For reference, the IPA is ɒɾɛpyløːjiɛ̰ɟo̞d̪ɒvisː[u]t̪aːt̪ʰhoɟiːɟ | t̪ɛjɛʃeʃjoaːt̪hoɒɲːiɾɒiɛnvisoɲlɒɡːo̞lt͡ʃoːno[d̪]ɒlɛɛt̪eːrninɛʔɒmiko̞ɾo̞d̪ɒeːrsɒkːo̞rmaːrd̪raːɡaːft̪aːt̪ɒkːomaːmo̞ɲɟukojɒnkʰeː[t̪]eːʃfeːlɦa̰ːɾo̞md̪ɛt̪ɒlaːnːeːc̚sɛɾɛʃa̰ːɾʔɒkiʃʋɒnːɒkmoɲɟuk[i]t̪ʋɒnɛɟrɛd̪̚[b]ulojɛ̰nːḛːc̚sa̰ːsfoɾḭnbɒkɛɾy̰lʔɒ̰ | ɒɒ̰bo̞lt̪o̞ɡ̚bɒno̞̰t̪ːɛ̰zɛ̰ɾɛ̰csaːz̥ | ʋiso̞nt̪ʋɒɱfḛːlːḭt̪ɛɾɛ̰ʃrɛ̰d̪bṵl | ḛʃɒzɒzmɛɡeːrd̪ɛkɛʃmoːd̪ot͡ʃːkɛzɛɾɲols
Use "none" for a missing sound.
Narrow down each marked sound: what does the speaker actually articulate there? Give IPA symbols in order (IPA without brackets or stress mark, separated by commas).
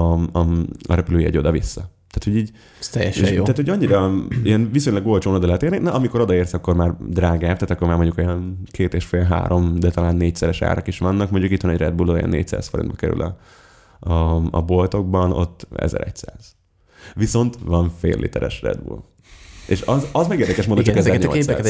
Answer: ɒ, d̪, t̪, i, b